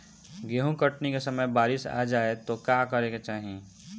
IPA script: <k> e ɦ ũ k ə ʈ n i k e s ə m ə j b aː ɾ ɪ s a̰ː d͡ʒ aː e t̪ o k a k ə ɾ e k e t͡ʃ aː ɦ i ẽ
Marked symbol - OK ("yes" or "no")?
no